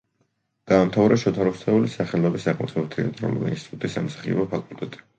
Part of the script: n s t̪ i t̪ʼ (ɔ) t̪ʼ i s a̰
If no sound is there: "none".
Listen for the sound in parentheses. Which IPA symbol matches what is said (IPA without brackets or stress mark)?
u